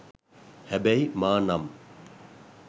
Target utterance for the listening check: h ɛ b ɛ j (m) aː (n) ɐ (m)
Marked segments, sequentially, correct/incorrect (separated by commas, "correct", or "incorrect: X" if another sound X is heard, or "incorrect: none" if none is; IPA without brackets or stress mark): correct, correct, correct